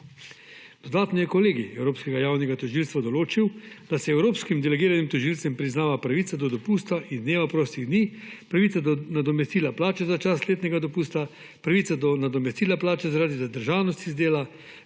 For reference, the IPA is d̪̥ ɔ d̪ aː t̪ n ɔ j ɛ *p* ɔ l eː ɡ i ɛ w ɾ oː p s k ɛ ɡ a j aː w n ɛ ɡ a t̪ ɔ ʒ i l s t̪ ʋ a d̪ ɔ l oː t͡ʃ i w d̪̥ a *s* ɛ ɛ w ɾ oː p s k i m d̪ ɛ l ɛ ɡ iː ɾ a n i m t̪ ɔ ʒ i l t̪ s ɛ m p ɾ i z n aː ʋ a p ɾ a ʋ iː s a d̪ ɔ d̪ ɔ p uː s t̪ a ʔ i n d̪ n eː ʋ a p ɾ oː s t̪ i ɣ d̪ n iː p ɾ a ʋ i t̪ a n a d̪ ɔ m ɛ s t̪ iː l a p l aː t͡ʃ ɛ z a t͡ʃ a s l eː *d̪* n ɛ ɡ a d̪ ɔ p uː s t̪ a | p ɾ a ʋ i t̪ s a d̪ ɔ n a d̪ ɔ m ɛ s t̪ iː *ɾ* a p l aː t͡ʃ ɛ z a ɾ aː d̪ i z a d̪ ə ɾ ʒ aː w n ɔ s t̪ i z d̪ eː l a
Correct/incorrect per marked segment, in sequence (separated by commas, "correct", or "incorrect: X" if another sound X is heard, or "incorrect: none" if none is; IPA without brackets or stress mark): incorrect: k, correct, incorrect: t̪, incorrect: l